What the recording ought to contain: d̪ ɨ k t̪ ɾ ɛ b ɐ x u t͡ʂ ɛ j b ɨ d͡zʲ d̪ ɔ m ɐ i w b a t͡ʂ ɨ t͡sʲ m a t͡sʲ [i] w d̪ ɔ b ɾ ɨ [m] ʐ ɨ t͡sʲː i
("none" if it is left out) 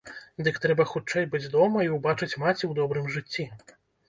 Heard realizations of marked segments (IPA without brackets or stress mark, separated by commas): i, m